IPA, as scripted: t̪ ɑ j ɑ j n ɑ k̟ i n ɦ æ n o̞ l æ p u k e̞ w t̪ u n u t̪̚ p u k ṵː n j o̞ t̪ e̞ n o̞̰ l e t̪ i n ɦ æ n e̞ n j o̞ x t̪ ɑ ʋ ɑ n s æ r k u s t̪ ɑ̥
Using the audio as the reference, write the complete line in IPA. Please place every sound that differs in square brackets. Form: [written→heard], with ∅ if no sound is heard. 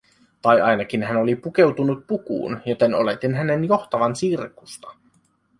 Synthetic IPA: t̪ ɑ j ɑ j n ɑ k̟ i n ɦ æ n o̞ l [æ→i] p u k e̞ w t̪ u n u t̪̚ p u k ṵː n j o̞ t̪ e̞ n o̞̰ l e t̪ i n ɦ æ n e̞ n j o̞ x t̪ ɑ ʋ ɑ n s [æ→i] r k u s t̪ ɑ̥